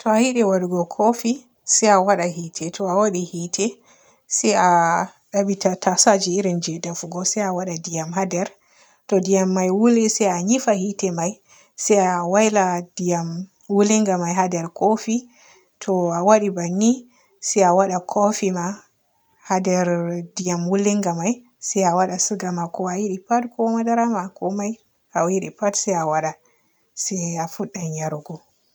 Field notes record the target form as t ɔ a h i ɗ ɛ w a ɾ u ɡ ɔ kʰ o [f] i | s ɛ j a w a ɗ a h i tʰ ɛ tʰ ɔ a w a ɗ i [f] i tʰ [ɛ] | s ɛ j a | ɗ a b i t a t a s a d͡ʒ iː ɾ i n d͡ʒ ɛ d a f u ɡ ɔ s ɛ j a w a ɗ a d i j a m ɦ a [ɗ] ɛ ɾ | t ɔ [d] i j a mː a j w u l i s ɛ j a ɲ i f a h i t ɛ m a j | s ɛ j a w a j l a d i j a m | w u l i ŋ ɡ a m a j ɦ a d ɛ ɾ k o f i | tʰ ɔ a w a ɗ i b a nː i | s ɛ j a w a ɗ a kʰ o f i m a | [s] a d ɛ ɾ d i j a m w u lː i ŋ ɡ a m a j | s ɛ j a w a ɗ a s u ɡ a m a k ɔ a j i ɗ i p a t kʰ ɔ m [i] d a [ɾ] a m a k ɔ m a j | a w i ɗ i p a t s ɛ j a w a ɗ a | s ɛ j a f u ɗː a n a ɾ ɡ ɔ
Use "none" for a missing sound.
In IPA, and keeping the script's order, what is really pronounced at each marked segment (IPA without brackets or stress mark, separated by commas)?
f, h, ɛ, d, d, h, a, ɾ